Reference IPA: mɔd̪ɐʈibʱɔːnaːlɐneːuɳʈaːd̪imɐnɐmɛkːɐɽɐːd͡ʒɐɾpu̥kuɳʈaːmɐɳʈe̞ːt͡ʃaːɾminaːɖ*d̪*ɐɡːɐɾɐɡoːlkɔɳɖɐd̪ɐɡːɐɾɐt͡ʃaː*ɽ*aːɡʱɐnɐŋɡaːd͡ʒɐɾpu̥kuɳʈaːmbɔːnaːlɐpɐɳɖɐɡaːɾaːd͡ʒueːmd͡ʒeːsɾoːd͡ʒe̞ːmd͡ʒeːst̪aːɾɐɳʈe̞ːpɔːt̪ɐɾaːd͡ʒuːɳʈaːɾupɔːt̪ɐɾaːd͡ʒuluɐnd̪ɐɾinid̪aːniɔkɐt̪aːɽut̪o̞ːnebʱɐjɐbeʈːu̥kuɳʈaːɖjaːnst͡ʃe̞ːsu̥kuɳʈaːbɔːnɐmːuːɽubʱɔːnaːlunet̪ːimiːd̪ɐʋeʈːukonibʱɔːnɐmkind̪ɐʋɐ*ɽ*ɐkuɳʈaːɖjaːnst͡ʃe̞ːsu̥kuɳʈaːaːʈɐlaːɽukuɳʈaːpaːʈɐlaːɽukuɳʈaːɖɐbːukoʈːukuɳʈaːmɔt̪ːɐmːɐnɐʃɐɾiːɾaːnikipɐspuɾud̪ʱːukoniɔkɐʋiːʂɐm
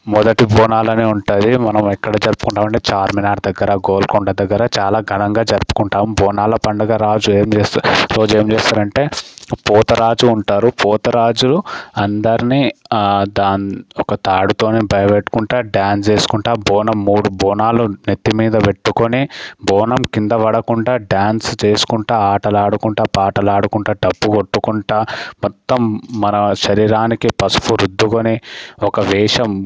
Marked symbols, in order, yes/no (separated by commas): yes, no, yes